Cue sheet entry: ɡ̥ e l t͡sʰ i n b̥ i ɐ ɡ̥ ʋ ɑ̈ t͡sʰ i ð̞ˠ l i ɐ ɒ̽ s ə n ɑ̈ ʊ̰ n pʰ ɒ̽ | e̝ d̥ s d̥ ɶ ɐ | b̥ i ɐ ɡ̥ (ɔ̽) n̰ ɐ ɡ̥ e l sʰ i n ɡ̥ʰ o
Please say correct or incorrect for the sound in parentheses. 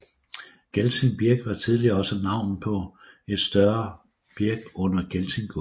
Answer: correct